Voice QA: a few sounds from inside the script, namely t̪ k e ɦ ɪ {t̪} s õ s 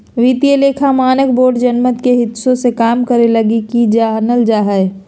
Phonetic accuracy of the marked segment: correct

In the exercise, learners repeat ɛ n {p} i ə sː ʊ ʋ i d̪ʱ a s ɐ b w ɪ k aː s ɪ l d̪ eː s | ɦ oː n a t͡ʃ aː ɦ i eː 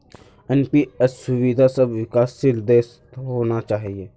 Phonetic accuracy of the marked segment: correct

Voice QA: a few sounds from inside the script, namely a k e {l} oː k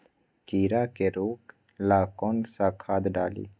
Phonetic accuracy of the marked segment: incorrect: ɾ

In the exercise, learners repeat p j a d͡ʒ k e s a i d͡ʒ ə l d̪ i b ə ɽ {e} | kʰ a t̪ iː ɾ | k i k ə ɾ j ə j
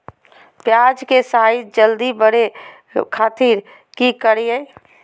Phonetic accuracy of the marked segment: correct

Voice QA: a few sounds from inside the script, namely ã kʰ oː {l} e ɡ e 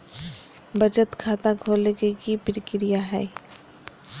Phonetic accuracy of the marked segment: correct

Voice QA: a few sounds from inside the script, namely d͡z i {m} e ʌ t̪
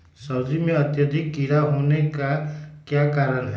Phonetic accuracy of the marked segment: correct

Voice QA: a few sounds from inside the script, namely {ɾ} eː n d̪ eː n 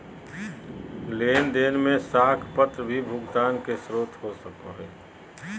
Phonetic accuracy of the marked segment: incorrect: l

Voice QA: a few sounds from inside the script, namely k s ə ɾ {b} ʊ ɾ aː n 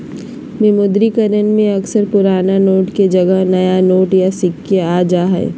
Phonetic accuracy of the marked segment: incorrect: p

